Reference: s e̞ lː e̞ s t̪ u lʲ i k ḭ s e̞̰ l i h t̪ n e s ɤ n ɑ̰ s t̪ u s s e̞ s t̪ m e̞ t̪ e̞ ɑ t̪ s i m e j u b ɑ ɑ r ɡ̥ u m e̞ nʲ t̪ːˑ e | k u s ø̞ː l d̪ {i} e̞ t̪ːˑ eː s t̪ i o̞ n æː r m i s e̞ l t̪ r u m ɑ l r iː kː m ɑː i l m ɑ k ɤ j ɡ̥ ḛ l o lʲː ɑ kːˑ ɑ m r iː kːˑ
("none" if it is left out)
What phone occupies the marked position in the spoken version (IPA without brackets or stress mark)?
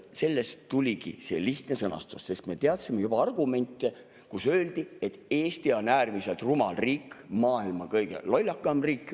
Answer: i